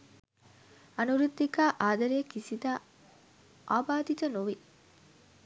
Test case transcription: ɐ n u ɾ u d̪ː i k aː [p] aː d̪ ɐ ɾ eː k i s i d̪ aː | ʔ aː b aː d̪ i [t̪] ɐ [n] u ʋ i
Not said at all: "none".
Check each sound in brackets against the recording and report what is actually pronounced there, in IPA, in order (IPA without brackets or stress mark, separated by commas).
ʔ, t̪, n